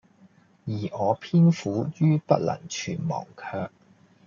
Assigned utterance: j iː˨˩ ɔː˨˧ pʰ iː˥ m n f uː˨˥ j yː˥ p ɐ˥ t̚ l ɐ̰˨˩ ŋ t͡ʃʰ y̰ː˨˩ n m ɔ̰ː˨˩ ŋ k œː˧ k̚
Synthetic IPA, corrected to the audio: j iː˨˩ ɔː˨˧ pʰ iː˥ n f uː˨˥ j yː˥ p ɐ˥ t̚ l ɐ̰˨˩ ŋ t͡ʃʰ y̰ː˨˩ n m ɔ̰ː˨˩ ŋ kʰ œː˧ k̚